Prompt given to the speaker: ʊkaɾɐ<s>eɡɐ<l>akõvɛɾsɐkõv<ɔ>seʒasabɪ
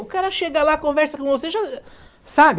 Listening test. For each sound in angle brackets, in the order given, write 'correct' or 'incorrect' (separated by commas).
incorrect, correct, incorrect